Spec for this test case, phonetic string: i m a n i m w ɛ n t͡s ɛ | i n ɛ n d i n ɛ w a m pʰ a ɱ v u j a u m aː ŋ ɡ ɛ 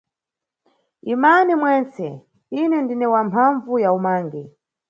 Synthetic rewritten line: i m a n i m w ɛ n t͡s ɛ | i n ɛ n d i n ɛ w a m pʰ a ɱ v u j a u m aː ŋ ɡ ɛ